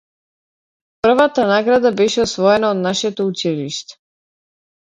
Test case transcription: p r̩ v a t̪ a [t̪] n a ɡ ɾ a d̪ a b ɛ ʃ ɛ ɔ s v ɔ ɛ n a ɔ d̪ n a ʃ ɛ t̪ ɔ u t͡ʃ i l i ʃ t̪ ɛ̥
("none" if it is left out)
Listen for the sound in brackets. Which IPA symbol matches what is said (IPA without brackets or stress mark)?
none